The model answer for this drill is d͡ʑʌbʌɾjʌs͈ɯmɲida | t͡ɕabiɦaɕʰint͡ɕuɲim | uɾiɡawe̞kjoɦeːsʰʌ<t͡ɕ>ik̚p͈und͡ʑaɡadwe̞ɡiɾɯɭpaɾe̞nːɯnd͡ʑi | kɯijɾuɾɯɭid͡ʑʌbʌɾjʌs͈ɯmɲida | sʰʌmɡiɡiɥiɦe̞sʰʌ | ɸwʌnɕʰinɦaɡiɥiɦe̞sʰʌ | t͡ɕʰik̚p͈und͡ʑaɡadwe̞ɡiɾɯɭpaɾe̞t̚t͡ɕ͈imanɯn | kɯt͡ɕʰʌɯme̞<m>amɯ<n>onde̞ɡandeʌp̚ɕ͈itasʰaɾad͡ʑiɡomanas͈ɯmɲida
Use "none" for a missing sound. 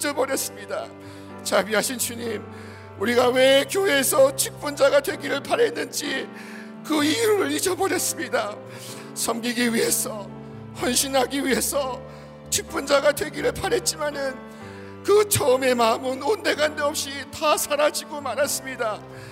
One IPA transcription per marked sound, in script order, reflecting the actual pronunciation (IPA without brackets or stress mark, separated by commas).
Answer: t͡ɕʰ, m, n